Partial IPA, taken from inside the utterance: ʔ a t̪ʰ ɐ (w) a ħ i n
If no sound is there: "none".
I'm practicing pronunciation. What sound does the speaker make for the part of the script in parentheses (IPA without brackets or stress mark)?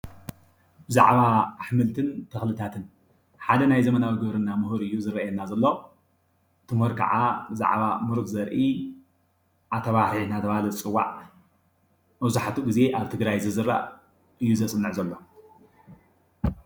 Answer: β